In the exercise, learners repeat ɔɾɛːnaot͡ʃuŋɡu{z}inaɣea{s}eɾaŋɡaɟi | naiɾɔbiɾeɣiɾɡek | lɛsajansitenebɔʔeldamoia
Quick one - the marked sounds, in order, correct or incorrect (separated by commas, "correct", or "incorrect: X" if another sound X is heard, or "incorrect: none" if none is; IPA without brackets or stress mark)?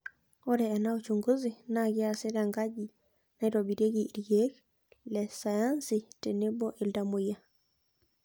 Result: correct, correct